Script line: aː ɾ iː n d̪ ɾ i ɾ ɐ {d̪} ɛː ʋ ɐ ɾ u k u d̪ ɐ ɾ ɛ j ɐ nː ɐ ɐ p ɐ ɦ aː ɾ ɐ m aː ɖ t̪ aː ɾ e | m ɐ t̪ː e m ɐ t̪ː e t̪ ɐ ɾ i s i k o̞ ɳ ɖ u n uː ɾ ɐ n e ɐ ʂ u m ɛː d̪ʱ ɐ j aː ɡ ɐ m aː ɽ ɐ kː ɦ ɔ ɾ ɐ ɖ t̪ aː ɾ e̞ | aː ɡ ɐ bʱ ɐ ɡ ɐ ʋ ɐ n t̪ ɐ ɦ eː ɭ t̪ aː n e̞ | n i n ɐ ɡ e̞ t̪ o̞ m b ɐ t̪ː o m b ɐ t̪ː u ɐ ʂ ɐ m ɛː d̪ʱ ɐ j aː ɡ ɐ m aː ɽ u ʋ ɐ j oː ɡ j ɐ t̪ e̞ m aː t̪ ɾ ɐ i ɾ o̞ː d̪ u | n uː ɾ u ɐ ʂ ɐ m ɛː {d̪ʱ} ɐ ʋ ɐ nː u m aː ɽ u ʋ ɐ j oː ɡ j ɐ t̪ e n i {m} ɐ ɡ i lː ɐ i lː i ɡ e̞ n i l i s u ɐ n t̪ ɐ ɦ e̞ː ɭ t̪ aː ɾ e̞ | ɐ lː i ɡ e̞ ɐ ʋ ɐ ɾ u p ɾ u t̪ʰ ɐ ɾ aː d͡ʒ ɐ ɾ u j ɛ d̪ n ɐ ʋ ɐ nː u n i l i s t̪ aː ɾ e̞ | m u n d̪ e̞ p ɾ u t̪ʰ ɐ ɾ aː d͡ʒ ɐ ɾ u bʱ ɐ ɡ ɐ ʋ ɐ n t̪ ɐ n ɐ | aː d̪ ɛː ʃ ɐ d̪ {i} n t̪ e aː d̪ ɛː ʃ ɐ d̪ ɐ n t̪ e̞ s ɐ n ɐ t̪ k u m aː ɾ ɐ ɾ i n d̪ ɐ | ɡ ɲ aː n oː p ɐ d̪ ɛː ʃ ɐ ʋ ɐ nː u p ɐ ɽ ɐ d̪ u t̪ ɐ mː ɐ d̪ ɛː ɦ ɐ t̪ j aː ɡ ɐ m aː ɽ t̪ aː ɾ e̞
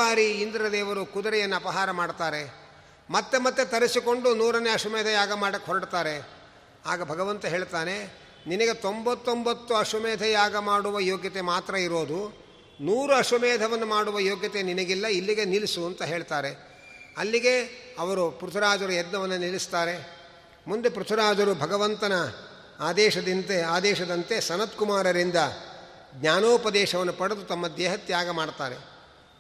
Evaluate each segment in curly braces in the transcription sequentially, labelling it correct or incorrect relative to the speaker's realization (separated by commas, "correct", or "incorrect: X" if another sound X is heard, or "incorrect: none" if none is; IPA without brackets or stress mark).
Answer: correct, correct, incorrect: n, correct